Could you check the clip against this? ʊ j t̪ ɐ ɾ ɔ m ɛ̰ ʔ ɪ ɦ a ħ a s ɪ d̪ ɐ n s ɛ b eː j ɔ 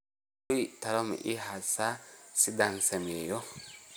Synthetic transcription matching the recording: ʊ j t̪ ɐ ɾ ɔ m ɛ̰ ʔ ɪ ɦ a s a s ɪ d̪ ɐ n s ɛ m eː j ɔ